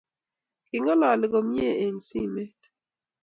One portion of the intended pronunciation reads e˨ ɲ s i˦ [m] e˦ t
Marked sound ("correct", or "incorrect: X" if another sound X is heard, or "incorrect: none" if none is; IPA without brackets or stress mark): correct